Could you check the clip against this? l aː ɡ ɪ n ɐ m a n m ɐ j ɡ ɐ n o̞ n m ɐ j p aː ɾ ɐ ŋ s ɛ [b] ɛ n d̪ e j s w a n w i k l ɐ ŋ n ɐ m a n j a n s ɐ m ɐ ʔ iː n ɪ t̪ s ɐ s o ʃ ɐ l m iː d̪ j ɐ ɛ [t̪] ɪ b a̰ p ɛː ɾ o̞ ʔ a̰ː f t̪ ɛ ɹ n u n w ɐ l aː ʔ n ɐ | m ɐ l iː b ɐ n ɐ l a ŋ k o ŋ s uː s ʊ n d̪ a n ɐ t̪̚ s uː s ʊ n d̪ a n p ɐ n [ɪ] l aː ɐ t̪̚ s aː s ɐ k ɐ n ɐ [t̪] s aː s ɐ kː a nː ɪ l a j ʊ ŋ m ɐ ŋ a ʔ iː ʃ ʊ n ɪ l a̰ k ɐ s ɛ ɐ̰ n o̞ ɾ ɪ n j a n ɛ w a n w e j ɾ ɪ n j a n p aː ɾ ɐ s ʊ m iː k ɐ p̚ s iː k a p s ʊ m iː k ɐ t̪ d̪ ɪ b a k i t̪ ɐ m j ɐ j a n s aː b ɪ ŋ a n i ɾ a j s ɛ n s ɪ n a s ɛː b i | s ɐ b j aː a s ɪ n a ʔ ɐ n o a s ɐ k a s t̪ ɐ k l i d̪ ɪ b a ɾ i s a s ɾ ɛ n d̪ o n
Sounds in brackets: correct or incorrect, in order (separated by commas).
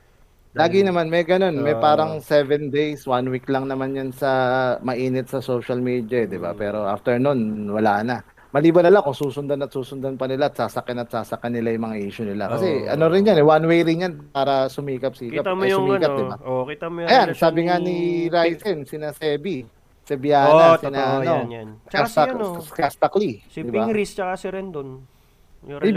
incorrect, incorrect, correct, correct